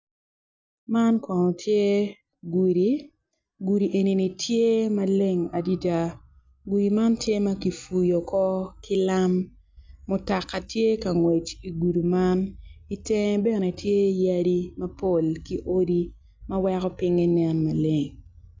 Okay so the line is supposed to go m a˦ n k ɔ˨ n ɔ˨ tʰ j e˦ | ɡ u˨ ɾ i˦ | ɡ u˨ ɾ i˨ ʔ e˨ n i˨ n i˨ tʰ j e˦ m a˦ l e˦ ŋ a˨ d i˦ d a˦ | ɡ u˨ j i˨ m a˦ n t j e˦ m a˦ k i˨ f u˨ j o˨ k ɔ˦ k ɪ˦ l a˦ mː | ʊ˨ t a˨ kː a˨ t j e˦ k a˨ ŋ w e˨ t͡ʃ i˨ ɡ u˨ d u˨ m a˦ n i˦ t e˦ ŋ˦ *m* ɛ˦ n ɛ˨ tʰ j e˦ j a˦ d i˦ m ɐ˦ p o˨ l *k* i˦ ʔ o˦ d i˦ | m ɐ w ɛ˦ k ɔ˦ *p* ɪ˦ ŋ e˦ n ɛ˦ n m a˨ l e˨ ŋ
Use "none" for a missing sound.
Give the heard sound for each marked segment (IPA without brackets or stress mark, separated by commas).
b, k, p